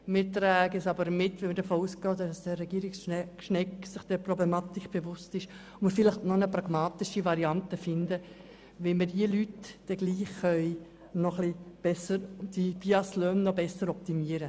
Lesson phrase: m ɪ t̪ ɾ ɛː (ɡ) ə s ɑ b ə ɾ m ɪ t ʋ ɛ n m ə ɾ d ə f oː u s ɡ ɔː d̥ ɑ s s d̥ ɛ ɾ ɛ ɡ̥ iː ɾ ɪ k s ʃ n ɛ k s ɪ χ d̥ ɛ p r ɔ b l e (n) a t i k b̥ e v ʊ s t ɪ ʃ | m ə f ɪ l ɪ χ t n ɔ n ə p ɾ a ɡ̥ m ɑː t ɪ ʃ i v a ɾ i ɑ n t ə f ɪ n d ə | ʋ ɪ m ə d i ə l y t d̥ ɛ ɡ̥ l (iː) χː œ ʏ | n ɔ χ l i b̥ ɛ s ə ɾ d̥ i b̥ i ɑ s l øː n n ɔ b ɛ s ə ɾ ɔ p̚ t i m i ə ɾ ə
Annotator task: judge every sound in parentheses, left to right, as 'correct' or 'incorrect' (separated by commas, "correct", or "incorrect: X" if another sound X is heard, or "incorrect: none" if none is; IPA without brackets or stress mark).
correct, incorrect: m, correct